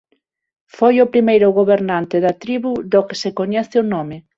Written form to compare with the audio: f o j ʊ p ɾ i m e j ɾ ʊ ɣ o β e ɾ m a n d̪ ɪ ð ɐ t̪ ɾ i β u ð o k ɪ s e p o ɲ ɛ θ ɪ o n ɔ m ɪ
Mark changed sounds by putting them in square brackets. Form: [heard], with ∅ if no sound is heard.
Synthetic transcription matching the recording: f o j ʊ p ɾ i m e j ɾ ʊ ɣ o β e ɾ [n] a n [t̪] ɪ ð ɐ t̪ ɾ i β u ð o k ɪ s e [k] o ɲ ɛ θ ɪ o n ɔ m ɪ